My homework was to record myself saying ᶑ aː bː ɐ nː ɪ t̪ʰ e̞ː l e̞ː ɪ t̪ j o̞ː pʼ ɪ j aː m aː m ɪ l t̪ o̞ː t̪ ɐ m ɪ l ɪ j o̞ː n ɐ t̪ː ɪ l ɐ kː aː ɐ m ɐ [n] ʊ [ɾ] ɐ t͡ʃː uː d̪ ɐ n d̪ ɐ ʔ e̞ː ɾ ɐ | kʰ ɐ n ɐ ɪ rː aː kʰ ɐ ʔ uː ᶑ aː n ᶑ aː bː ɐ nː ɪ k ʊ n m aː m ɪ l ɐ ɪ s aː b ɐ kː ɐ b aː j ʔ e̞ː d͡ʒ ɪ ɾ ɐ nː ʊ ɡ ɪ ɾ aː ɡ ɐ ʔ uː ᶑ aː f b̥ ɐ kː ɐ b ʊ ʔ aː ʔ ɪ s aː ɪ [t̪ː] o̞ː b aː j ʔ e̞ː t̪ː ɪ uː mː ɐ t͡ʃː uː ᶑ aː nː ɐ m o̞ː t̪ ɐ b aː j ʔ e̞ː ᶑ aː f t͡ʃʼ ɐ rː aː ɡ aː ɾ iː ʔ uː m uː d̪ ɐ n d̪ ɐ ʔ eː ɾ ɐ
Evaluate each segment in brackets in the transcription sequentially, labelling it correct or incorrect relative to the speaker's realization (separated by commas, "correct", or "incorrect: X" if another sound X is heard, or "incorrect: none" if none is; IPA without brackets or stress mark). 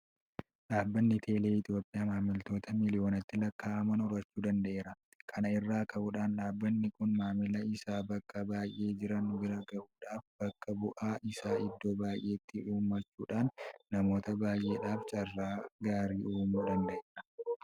correct, correct, incorrect: d̪ː